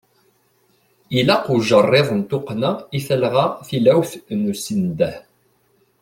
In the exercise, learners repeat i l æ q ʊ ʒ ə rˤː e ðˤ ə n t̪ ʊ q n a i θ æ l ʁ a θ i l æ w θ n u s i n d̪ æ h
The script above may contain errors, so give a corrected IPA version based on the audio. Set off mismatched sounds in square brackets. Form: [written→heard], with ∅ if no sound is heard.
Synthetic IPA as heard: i l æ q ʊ ʒ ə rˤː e ðˤ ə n t̪ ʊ q n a i θ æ l ʁ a θ i l æ w θ n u s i n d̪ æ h

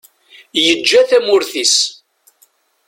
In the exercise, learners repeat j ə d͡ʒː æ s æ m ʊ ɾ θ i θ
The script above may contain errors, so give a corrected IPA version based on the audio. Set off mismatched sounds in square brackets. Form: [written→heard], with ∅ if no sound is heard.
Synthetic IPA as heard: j ə d͡ʒː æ [s→θ] æ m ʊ ɾ θ i [θ→s]

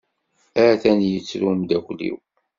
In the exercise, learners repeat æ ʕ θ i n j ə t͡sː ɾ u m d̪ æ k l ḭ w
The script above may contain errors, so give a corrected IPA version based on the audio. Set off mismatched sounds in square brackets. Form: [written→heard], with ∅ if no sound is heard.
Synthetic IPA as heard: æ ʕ θ [i→æ] n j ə t͡sː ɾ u m d̪ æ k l ḭ w

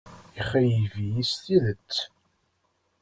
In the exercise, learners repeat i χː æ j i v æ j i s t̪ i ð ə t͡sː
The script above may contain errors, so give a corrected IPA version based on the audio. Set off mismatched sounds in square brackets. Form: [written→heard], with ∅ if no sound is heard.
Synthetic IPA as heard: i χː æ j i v [æ→i] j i s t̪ i ð ə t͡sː

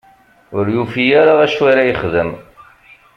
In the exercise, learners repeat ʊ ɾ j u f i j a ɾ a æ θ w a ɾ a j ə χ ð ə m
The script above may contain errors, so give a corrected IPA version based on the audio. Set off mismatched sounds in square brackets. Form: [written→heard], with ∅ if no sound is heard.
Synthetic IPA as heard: ʊ ɾ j u f i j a ɾ a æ [θ→ʃ] w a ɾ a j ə χ ð ə m

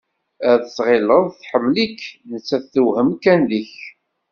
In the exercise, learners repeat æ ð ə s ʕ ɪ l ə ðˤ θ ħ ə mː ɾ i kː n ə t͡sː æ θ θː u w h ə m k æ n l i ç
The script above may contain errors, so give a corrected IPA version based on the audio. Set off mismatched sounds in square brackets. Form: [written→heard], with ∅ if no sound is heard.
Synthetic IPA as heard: æ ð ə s [ʕ→ʁ] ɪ l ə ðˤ θ ħ ə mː [ɾ→l] i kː n ə t͡sː æ θ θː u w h ə m k æ n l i ç

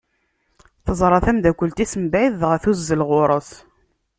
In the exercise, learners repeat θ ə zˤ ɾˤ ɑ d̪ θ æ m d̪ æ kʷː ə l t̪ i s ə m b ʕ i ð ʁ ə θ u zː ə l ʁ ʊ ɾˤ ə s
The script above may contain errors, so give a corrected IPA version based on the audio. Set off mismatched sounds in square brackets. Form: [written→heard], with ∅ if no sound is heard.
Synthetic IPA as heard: θ ə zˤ ɾˤ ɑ [d̪→∅] θ æ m d̪ æ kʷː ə l t̪ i s ə m b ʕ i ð ʁ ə θ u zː ə l ʁ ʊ ɾˤ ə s

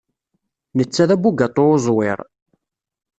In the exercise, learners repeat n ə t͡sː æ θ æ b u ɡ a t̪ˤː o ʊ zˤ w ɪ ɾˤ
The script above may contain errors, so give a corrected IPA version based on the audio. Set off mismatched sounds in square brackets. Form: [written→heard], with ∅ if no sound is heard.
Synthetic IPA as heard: n ə t͡sː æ [θ→ð] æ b u ɡ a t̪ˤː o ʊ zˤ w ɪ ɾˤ

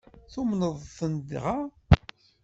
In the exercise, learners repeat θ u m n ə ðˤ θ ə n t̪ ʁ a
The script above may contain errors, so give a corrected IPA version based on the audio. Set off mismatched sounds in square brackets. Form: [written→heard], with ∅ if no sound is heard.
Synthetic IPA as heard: θ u m n ə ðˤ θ ə n [t̪→d̪] ʁ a

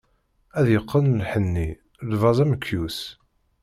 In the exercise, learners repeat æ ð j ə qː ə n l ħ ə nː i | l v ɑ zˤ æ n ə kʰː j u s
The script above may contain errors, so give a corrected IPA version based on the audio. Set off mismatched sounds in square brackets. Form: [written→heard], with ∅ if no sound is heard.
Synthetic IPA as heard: æ ð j ə qː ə n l ħ ə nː i | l v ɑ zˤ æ [n→m] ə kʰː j u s

